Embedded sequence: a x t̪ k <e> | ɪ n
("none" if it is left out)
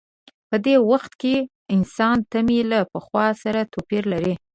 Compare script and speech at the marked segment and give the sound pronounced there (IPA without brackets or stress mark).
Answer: e